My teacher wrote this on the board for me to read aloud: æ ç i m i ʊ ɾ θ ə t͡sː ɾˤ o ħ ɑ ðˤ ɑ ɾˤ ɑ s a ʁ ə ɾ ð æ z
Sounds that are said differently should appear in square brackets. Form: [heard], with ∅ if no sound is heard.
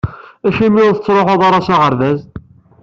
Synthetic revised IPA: æ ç i m i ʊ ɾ θ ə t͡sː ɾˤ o ħ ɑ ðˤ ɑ ɾˤ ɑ s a ʁ ə ɾ ð æ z